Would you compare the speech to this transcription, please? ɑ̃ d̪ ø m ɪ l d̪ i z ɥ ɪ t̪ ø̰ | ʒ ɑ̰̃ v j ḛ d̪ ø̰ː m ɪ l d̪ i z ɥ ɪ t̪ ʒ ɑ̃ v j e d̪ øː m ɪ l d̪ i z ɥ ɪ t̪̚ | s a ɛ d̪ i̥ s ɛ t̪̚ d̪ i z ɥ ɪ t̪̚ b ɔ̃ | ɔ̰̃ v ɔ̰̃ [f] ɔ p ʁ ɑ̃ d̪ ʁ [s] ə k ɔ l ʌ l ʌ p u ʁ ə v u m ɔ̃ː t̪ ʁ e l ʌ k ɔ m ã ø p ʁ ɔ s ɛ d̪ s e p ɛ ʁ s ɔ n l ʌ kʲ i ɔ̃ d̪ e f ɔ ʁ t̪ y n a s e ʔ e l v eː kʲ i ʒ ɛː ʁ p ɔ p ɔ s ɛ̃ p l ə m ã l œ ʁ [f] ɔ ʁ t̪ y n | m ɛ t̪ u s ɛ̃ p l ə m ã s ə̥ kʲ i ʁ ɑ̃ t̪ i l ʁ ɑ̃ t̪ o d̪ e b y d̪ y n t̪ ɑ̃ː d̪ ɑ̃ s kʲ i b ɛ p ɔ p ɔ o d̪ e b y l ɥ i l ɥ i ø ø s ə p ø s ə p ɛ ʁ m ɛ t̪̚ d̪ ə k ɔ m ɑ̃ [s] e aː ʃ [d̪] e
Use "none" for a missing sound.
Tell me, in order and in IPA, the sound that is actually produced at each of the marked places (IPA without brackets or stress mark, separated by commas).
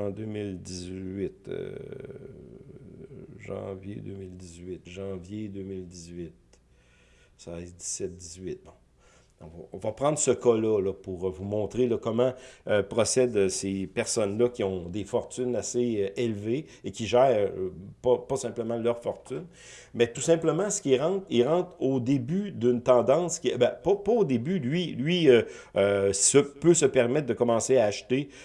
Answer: v, s, f, s, t̪